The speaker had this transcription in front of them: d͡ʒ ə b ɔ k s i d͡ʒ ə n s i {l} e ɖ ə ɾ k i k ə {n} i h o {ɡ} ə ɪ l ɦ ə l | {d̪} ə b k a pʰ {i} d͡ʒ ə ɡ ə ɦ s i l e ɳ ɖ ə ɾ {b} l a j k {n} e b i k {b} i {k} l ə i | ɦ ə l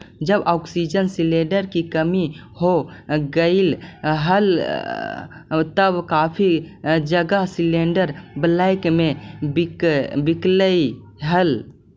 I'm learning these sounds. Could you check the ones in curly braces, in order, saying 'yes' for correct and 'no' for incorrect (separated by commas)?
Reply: yes, no, yes, no, yes, yes, no, yes, yes